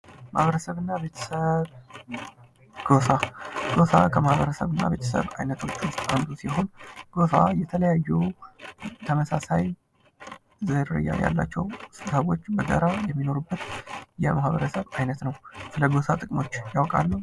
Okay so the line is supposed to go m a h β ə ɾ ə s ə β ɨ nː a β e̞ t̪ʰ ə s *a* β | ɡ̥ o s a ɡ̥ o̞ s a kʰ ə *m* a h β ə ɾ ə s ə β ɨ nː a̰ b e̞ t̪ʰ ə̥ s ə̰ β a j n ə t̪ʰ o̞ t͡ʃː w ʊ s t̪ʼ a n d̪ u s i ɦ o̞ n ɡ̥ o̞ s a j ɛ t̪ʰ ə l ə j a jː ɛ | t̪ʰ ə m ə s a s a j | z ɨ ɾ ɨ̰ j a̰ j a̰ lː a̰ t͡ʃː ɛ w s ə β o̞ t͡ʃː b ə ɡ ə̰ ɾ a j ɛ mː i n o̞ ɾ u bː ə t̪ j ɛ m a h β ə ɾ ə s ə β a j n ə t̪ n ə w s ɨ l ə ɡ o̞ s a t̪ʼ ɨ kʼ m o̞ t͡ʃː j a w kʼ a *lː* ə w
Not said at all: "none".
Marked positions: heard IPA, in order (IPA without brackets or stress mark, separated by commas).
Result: ə, m, lː